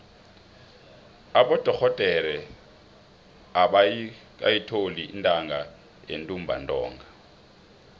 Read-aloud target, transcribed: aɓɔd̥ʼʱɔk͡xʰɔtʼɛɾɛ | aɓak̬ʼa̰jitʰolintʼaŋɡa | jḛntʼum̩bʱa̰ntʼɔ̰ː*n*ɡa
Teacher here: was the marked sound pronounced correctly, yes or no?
no